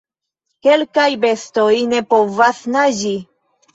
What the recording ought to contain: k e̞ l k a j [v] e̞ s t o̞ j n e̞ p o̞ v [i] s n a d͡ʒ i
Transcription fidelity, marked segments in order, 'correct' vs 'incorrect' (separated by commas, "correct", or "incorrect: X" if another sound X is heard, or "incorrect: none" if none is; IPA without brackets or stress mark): incorrect: b, incorrect: a